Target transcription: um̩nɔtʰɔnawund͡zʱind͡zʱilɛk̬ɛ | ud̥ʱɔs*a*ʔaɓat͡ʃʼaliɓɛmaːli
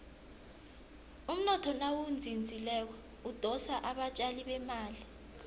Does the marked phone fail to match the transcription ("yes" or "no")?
no